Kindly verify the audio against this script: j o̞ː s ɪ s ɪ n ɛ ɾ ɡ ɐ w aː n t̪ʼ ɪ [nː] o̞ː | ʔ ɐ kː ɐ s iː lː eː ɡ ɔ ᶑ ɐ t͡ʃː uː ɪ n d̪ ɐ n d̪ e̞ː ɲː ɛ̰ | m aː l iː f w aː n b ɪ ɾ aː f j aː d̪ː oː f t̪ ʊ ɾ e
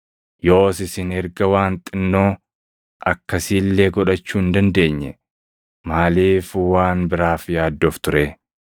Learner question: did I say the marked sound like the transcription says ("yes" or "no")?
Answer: yes